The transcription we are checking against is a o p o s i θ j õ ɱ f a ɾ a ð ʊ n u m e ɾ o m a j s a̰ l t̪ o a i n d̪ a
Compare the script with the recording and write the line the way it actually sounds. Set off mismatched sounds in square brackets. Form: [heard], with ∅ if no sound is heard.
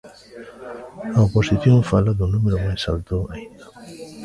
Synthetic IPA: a o p o s i θ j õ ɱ f a [l] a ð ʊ n u m e ɾ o m a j s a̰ l t̪ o a i n d̪ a